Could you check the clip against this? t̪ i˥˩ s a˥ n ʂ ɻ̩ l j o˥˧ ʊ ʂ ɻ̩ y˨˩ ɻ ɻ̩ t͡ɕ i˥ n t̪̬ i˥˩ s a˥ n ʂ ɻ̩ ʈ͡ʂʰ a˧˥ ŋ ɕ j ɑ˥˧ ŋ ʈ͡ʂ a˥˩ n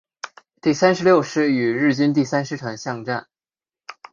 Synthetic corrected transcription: t̪ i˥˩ s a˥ n ʂ ɻ̩ l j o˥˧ ʊ ʂ ɻ̩ y˨˩ ɻ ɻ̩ t͡ɕ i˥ n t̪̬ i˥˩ s a˥ n ʂ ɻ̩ ʈ͡ʂʰ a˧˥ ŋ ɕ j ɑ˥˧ ŋ ʈ͡ʂ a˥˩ n